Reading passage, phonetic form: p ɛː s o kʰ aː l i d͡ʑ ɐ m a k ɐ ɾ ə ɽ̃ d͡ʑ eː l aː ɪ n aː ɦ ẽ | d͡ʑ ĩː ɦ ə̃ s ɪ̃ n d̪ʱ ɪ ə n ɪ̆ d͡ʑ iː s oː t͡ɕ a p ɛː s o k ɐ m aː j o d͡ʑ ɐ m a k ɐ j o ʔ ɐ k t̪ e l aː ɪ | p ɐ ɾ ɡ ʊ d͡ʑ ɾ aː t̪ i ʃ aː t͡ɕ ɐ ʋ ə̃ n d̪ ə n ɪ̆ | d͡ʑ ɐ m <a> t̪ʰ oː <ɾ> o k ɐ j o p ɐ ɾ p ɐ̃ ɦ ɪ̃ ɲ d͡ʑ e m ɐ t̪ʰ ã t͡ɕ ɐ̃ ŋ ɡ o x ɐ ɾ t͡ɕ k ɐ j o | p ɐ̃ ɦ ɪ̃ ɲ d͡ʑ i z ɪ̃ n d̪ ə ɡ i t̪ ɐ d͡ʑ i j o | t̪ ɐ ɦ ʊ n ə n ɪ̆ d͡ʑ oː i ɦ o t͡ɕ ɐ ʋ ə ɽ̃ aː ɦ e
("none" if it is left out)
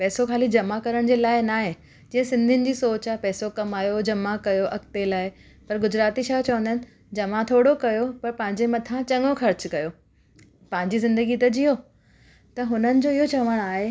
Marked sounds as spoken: a, ɽ

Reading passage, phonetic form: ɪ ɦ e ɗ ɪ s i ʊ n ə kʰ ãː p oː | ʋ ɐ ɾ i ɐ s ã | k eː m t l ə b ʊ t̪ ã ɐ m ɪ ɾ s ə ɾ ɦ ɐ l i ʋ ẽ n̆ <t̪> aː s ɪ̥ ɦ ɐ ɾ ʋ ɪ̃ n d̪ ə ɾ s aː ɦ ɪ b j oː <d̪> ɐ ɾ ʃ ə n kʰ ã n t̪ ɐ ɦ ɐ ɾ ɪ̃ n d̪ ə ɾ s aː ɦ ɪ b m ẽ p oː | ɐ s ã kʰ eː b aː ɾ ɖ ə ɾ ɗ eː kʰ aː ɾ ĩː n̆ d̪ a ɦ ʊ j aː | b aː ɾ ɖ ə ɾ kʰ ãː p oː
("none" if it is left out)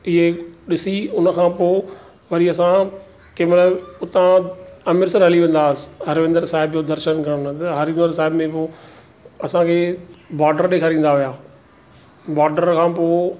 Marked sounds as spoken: d̪, d̪

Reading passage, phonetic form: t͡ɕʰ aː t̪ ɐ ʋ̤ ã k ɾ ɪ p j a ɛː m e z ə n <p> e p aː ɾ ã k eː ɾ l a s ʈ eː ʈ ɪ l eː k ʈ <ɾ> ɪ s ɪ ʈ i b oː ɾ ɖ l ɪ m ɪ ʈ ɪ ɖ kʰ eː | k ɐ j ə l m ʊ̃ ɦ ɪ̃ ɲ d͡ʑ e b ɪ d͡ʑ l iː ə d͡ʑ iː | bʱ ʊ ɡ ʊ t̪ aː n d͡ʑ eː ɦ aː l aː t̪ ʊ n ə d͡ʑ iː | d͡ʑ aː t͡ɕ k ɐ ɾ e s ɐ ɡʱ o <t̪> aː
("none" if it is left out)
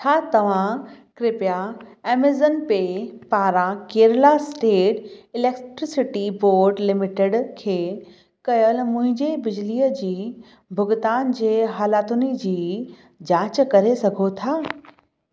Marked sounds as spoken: p, ɾ, t̪ʰ

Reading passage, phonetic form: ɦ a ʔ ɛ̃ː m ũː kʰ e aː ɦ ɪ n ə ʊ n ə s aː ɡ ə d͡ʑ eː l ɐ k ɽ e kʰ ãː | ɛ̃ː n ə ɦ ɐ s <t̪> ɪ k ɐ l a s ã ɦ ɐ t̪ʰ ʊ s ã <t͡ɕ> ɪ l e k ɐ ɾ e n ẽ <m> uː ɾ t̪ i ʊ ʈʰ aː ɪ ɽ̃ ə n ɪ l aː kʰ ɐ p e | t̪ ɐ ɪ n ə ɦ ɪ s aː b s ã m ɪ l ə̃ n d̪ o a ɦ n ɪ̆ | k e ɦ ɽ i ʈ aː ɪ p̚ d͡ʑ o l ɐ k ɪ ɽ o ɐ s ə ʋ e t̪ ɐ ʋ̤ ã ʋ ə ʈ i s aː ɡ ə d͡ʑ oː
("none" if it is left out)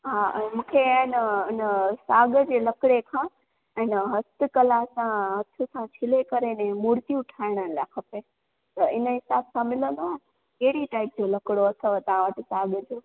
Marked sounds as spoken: t̪, t͡ɕʰ, m

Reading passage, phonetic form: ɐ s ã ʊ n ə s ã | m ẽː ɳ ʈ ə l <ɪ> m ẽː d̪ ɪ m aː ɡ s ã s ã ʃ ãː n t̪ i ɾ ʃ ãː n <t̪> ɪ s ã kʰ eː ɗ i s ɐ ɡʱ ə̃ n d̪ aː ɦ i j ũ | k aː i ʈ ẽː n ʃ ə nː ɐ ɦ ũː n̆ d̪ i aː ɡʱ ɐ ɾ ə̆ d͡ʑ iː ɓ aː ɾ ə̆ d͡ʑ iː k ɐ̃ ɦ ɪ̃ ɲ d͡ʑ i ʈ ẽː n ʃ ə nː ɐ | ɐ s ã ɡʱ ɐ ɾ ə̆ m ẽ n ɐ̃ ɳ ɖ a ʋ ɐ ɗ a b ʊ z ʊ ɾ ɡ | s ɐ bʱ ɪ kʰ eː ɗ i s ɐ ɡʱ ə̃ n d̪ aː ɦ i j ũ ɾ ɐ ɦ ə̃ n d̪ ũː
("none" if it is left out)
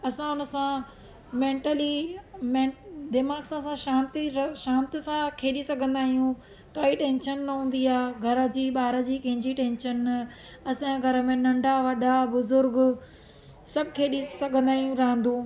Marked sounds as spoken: i, t̪

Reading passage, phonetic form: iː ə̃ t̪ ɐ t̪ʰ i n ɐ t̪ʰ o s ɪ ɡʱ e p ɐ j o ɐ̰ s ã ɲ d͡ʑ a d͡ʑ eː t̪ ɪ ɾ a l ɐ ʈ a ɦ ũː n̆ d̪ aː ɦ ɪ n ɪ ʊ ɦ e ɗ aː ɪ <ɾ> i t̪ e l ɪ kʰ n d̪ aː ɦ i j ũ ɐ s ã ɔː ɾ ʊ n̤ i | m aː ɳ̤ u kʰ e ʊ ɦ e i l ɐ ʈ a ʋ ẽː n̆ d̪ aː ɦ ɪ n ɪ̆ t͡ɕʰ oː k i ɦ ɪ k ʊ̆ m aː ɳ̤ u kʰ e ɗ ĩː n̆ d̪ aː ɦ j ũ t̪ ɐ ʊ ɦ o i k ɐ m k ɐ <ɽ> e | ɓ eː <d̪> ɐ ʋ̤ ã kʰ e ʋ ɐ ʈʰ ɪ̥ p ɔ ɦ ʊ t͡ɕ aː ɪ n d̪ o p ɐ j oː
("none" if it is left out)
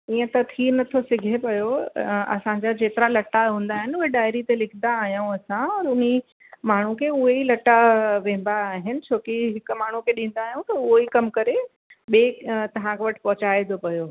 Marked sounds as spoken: ɾ, ɾ, t̪

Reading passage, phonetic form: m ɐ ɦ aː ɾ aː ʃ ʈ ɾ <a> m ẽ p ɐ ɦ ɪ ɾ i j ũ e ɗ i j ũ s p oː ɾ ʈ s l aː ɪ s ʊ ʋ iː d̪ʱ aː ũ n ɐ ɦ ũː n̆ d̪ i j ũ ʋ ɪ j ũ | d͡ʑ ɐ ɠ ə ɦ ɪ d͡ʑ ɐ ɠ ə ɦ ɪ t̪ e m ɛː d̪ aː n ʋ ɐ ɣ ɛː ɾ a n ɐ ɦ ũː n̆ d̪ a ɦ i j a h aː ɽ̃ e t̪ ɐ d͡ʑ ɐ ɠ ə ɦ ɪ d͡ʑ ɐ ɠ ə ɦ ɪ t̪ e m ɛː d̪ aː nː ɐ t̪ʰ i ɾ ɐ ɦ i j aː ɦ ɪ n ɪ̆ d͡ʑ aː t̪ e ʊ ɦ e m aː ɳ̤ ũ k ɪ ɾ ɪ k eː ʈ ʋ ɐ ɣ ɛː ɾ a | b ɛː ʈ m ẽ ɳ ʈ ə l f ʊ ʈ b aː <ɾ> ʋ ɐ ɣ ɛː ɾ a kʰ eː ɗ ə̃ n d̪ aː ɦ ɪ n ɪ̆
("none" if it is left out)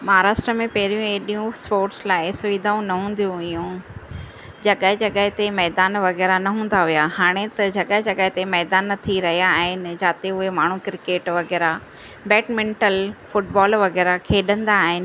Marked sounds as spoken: ə, l

